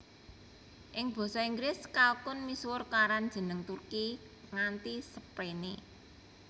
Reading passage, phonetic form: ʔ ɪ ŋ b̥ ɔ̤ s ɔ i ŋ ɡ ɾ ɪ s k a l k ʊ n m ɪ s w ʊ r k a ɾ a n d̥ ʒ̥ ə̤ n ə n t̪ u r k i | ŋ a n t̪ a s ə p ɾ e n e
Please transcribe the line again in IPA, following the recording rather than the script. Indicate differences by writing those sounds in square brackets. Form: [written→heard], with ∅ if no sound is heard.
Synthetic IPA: ʔ ɪ ŋ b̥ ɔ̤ s ɔ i ŋ ɡ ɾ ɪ s k a l k ʊ n m [ɪ→i] s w ʊ r k a ɾ a n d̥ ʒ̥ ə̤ n ə [n→ŋ] t̪ u r k i | ŋ a n t̪ [a→i] s ə p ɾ e n e